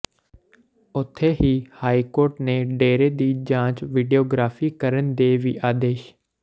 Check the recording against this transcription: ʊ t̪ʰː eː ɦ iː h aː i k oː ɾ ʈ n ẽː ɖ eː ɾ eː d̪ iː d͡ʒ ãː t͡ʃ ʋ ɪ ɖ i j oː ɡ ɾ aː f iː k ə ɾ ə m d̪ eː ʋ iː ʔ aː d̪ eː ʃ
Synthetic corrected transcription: ʊ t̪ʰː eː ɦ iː h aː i k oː ɾ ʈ n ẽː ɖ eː ɾ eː d̪ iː d͡ʒ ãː t͡ʃ ʋ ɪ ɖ i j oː ɡ ɾ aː f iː k ə ɾ ə n d̪ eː ʋ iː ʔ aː d̪ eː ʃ